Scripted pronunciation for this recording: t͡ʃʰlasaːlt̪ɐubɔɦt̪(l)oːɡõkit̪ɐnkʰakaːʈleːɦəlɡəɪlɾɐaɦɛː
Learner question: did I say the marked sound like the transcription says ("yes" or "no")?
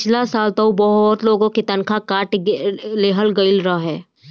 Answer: yes